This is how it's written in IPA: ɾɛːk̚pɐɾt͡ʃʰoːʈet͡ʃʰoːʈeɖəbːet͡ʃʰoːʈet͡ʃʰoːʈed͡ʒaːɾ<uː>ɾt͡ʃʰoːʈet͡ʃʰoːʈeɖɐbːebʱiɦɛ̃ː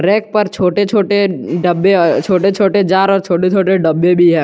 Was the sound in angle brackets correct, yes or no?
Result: no